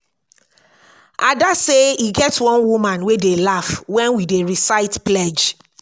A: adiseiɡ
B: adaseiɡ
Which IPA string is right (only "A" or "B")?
B